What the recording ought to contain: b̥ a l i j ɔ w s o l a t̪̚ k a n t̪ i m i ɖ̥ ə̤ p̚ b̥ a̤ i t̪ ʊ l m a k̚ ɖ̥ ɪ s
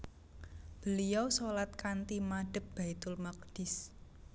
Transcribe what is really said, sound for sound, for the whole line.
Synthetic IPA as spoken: b̥ ə l i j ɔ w s o l a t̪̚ k a n t̪ i m a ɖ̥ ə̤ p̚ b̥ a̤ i t̪ ʊ l m a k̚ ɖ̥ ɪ s